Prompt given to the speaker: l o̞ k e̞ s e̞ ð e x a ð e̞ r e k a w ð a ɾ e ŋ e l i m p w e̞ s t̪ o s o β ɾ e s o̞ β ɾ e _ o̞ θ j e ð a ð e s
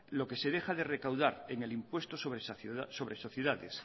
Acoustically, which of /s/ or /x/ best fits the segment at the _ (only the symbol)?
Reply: s